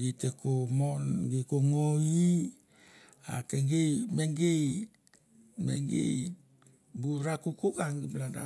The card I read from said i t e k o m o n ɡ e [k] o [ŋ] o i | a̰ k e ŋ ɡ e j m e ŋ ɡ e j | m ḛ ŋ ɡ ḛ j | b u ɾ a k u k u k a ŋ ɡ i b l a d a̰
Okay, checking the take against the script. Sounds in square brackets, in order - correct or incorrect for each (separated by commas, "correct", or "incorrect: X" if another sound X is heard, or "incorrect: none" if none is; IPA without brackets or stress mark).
correct, correct